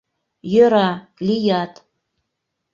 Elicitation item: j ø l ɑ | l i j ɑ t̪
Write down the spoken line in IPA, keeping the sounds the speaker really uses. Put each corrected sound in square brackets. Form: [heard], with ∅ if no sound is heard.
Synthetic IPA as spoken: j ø [ɾ] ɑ | l i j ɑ t̪